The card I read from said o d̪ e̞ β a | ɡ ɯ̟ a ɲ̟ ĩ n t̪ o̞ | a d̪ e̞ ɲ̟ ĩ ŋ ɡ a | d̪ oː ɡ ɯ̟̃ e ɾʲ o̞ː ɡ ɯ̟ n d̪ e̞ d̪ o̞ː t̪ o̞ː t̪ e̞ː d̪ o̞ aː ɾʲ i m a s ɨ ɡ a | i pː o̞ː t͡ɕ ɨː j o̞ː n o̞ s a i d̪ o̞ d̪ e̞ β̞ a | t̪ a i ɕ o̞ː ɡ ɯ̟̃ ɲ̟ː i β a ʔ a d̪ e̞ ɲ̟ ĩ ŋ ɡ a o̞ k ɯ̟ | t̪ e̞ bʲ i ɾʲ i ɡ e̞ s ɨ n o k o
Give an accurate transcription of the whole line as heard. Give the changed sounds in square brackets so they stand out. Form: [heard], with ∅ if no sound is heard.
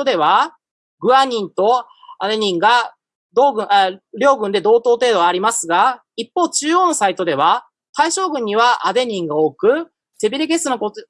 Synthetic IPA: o d̪ e̞ β a | ɡ ɯ̟ a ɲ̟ ĩ n t̪ o̞ | a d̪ e̞ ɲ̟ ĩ ŋ ɡ a | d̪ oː ɡ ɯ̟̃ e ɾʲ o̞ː ɡ [ɯ̟̃] n d̪ e̞ d̪ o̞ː t̪ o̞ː t̪ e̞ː d̪ o̞ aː ɾʲ i m a s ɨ ɡ a | i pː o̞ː t͡ɕ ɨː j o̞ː n o̞ s a i [t̪] o̞ d̪ e̞ β̞ a | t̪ a i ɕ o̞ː ɡ ɯ̟̃ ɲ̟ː i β a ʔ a d̪ e̞ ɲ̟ ĩ ŋ ɡ a o̞ k ɯ̟ | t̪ e̞ bʲ i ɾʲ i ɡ e̞ s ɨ n o k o